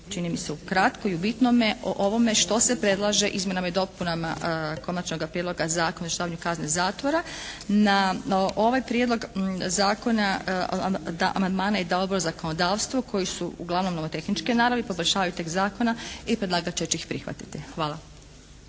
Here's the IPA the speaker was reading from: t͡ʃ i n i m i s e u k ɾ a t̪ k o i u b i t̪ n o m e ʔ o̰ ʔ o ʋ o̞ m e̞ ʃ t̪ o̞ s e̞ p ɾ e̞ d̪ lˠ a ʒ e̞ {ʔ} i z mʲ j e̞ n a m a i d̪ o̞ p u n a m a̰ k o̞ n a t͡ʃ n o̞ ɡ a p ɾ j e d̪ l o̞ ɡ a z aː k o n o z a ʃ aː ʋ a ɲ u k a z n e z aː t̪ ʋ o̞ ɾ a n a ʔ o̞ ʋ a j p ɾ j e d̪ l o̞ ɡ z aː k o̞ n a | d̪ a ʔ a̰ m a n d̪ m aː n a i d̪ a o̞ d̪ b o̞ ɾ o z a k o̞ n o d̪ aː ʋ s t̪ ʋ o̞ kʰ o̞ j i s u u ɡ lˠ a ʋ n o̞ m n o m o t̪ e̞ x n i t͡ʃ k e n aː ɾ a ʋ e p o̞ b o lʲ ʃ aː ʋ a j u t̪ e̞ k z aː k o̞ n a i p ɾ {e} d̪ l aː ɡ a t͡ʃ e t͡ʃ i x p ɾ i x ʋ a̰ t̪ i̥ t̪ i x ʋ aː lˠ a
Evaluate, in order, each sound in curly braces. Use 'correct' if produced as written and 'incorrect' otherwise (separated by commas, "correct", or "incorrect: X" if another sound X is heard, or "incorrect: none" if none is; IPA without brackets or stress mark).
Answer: correct, correct